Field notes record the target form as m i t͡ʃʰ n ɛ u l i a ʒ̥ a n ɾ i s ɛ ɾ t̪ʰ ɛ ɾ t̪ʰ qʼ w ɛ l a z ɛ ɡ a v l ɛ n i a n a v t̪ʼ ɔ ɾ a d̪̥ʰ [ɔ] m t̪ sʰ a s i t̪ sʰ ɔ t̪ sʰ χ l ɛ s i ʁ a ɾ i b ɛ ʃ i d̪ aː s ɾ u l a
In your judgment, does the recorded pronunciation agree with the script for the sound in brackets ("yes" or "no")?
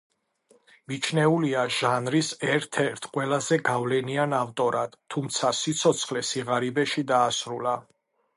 no